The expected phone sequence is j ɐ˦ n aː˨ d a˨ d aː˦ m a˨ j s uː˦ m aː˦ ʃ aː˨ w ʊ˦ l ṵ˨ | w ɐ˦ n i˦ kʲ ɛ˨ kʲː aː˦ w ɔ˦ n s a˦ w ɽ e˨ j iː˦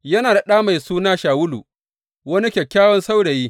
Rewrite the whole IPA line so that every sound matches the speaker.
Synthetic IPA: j ɐ˦ n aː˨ d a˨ ɗ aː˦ m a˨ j s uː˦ n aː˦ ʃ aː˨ w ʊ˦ l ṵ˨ | w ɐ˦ n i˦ kʲ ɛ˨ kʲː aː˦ w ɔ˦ n s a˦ w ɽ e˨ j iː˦